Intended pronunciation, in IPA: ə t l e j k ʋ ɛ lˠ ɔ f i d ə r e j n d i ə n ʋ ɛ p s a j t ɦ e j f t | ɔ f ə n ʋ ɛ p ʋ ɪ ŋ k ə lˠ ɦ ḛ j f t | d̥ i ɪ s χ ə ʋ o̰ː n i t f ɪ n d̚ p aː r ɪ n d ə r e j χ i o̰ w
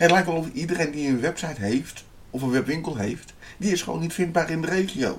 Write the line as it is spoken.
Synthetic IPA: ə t l ɛ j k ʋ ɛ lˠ ɔ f i d ə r e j n d i ə n ʋ ɛ p s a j t ɦ e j f t | ɔ f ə n ʋ ɛ p ʋ ɪ ŋ k ə lˠ ɦ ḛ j f t | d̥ i ɪ s χ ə ʋ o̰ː n i t f ɪ n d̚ b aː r ɪ n d ə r e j χ i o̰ w